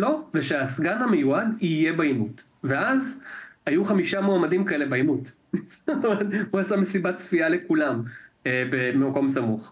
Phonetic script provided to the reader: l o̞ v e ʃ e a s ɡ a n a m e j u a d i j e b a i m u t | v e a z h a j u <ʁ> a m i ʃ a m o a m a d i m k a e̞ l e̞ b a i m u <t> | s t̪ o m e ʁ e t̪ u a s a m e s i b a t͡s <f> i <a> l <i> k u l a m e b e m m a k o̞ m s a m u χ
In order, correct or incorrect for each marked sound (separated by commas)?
incorrect, correct, correct, correct, incorrect